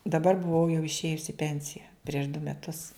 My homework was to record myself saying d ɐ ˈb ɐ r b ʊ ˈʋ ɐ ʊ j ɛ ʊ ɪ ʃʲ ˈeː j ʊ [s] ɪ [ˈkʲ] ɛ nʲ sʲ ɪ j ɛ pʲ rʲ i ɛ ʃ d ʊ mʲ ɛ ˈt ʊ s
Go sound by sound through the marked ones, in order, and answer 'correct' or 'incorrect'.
correct, incorrect

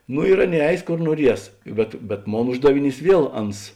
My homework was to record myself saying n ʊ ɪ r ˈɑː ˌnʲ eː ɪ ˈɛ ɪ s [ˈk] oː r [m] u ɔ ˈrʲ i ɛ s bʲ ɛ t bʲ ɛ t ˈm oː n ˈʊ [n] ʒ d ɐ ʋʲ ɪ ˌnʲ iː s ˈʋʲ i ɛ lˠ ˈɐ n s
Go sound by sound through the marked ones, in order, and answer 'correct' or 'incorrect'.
correct, incorrect, incorrect

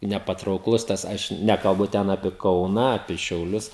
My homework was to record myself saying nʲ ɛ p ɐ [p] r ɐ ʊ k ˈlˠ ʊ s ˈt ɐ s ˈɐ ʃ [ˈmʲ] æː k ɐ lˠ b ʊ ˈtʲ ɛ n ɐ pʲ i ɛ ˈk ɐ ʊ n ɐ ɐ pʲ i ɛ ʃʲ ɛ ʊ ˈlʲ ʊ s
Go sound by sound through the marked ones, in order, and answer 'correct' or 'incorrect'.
incorrect, incorrect

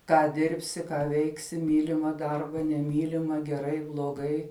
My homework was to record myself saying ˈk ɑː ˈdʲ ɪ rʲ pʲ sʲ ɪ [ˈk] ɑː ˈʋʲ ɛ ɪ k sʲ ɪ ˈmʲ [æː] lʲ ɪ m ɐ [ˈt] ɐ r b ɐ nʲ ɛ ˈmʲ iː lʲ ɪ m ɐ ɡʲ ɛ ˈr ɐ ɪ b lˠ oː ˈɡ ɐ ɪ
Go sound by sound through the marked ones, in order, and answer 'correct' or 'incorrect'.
correct, incorrect, incorrect

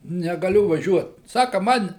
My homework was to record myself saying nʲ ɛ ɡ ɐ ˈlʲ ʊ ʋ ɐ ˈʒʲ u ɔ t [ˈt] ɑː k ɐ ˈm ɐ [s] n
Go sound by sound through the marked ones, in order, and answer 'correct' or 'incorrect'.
incorrect, incorrect

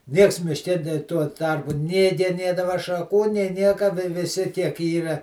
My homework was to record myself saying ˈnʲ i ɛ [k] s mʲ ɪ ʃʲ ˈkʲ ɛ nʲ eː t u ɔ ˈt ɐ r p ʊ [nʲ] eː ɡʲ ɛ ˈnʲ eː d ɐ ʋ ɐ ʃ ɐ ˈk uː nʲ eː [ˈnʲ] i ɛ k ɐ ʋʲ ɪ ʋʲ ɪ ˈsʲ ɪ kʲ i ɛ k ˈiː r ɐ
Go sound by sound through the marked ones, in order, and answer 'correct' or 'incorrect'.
correct, correct, correct

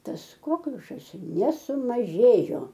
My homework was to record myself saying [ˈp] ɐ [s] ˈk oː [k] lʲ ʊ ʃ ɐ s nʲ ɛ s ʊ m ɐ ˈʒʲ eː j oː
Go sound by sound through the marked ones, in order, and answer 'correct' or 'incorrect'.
incorrect, correct, correct

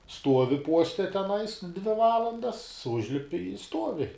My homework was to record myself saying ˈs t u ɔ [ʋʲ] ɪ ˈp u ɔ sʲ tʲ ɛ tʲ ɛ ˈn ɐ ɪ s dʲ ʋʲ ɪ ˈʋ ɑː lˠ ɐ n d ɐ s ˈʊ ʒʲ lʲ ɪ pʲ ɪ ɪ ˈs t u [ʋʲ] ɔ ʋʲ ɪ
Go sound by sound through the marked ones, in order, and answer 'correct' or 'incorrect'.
correct, incorrect

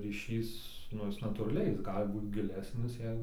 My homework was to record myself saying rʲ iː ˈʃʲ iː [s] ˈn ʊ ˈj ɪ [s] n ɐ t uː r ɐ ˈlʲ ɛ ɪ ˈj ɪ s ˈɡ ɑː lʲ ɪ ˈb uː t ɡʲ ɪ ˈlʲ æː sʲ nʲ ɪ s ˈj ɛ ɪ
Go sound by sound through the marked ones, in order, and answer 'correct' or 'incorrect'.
correct, correct

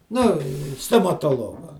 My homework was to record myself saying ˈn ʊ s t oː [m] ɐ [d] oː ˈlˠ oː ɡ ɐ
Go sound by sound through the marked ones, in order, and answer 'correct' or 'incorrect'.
correct, incorrect

